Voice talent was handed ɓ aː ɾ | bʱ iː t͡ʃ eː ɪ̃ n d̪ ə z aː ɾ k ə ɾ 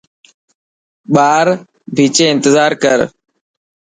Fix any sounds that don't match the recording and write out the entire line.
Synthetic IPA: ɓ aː ɾ | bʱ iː t͡ʃ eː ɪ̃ n t̪ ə z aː ɾ k ə ɾ

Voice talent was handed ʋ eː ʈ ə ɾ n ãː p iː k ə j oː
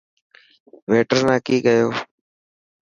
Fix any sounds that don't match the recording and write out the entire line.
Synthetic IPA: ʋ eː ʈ ə ɾ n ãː k iː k ə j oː

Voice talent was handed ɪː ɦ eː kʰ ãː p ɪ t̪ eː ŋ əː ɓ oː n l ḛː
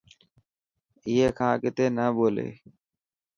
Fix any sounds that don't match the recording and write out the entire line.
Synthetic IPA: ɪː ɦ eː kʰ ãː k ɪ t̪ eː n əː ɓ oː l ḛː

